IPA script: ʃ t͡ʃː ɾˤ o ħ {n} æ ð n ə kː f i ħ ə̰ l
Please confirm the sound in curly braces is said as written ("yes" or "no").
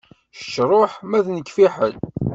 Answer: no